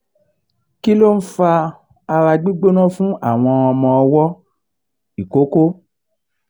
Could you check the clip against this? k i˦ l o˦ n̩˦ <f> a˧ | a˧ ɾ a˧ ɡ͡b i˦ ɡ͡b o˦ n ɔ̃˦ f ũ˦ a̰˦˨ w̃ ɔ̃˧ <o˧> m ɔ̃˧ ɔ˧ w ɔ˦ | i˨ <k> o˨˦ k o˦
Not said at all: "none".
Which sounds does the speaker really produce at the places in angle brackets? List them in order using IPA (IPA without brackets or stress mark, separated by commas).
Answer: f, ɔ˧, k